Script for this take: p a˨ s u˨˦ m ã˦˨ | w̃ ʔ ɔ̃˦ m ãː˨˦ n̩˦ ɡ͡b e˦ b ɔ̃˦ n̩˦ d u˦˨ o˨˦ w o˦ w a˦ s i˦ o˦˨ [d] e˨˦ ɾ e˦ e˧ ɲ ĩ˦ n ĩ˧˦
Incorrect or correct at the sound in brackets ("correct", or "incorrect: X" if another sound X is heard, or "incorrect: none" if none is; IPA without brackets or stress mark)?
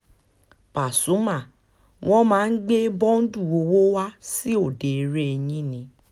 correct